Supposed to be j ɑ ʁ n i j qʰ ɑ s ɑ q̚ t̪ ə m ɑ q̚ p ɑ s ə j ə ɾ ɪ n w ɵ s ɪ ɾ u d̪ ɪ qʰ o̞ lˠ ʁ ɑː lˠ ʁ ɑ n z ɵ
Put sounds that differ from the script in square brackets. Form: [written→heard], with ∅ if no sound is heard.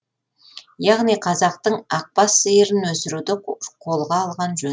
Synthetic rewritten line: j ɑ ʁ n i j qʰ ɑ [s→z] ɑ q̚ t̪ ə [m→ɴ] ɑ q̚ p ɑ s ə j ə ɾ ɪ n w ɵ s ɪ ɾ u d̪ ɪ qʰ o̞ lˠ ʁ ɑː lˠ ʁ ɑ n [z→ʒ] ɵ